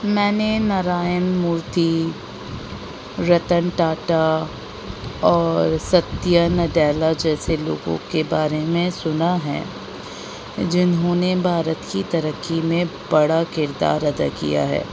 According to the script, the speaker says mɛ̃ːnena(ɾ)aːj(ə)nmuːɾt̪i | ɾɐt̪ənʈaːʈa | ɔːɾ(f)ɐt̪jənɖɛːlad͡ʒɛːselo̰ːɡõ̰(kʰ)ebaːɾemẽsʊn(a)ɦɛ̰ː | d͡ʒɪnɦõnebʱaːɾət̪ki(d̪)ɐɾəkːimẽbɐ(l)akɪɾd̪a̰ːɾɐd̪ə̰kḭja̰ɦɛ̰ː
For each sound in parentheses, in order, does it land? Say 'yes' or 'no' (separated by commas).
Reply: yes, yes, no, no, yes, no, no